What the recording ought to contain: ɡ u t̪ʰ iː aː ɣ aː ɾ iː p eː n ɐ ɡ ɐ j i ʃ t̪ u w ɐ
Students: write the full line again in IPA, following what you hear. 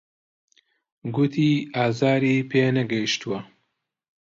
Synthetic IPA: ɡ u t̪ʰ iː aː z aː ɾ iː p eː n ɐ ɡ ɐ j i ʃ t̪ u w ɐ